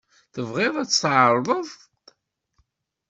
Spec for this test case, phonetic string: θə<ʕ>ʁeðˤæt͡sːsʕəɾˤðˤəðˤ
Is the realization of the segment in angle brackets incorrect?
yes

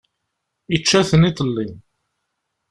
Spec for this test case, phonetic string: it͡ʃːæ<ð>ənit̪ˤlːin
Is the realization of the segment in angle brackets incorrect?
yes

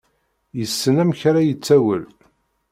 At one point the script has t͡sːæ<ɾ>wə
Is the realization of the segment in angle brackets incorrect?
yes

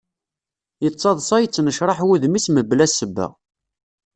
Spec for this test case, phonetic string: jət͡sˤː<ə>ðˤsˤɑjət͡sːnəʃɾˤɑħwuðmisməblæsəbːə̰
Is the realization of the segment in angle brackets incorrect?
yes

